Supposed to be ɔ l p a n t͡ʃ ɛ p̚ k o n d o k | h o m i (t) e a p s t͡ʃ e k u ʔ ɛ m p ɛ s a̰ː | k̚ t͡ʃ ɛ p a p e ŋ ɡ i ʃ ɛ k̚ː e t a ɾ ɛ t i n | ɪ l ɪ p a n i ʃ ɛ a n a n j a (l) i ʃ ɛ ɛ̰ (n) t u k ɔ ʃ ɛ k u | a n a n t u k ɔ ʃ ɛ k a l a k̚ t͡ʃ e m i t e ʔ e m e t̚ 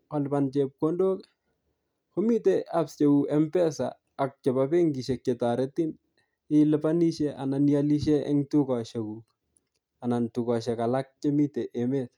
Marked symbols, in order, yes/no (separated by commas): yes, yes, no